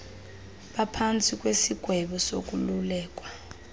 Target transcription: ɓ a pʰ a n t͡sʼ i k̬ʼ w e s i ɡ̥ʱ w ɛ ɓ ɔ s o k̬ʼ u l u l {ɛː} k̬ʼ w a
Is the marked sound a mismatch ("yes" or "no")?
no